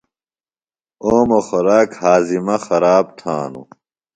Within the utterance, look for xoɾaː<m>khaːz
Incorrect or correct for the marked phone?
incorrect: none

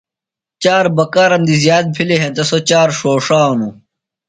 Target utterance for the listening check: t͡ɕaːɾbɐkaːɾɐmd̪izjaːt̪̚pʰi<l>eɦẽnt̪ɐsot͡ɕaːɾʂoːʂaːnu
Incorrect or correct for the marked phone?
correct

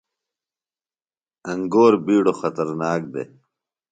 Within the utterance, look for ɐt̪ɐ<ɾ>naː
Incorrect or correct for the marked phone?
correct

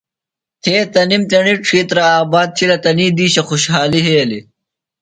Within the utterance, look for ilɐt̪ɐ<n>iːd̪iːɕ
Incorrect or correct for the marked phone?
correct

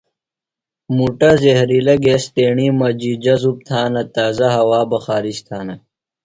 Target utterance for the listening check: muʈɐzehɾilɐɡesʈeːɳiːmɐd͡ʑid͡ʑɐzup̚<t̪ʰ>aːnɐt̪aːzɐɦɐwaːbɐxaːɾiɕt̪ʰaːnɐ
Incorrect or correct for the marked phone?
correct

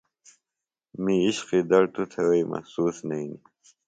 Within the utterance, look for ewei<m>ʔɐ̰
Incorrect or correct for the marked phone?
correct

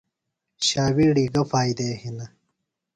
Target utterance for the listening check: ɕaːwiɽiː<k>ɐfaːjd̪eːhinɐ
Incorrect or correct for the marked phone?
incorrect: ɡ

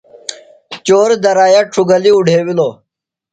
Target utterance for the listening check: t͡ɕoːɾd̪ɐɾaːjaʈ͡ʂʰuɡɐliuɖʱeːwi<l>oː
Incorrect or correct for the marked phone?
correct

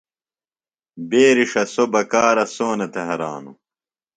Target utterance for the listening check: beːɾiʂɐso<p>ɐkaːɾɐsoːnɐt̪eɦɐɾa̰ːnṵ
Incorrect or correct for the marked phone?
incorrect: b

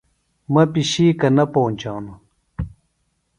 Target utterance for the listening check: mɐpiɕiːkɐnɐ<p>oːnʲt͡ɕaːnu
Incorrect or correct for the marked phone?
correct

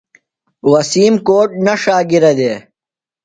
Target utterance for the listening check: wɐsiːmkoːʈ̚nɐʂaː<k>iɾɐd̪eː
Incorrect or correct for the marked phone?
incorrect: ɡ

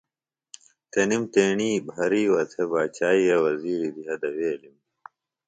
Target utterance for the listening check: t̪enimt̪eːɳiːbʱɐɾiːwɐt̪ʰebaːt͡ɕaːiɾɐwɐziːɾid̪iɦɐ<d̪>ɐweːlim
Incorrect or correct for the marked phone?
correct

